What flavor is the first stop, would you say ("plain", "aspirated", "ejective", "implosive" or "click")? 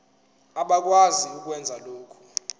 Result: implosive